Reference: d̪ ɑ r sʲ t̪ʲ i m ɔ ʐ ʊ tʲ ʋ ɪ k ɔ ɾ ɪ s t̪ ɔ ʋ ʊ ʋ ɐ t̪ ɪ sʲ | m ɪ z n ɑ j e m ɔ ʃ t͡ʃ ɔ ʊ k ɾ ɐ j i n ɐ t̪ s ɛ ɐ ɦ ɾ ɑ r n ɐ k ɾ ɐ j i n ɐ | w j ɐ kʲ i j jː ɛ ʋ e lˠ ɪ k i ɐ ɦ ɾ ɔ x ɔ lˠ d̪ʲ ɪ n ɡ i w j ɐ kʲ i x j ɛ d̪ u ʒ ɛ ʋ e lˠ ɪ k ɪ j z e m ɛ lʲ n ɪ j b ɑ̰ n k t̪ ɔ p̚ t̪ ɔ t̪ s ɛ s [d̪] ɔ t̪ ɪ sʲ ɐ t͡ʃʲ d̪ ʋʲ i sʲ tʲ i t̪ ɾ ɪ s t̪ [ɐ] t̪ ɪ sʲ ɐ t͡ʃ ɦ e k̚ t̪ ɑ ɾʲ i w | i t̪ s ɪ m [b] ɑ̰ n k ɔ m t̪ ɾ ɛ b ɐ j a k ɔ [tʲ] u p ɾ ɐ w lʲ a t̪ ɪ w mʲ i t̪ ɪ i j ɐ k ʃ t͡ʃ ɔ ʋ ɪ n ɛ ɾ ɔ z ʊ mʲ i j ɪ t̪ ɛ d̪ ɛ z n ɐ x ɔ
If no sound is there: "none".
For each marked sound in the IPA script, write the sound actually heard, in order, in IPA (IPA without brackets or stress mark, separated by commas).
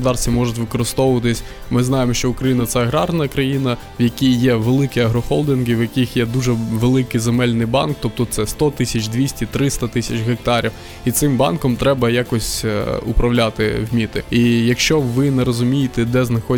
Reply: t̪, ɐ, b, sʲ